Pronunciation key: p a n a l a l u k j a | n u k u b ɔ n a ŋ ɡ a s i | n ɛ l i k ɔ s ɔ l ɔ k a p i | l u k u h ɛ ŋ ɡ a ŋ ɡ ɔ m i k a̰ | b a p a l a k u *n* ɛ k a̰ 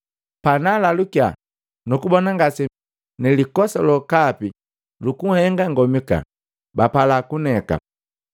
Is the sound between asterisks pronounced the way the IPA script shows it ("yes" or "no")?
yes